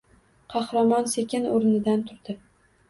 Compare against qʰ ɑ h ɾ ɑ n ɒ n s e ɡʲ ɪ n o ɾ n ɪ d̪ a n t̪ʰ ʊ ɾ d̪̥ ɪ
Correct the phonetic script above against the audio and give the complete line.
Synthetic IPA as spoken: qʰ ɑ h ɾ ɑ m ɒ n s e kʲ ɪ n o ɾ n ɪ d̪ a n t̪ʰ ʊ ɾ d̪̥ ɪ